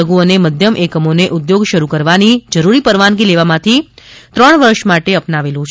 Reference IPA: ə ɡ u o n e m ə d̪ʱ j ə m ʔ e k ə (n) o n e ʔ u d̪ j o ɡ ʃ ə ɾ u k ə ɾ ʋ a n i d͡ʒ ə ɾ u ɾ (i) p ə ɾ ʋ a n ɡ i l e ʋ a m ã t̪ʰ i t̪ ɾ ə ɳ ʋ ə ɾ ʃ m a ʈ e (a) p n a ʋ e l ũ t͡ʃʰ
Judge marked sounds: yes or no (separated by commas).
no, yes, no